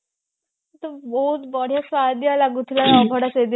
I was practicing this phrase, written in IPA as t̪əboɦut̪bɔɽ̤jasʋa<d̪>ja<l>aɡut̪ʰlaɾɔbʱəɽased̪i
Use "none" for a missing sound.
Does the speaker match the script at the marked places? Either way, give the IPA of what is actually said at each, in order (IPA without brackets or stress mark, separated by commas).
d̪, l